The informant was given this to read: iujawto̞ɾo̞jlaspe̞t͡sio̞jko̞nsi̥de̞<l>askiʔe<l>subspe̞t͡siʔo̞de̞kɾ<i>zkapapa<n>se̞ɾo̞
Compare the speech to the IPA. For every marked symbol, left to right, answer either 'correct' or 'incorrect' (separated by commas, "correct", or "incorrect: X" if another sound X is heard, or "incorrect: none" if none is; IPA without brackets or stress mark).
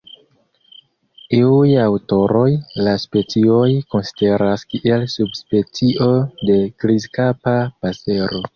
incorrect: ɾ, correct, correct, incorrect: none